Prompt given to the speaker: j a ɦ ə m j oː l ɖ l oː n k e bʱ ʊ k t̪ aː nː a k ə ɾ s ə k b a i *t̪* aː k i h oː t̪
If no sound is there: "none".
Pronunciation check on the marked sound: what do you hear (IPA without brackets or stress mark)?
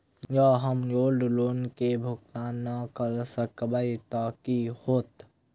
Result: t̪